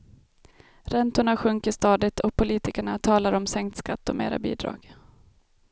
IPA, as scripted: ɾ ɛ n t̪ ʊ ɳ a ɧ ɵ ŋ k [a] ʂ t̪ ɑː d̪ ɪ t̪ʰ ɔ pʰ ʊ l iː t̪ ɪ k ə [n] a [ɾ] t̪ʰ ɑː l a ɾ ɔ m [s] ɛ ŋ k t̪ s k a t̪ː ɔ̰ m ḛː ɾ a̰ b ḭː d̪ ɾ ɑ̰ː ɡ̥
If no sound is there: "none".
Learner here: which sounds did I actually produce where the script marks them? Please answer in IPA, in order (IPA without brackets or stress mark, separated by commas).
ə, ɳ, none, s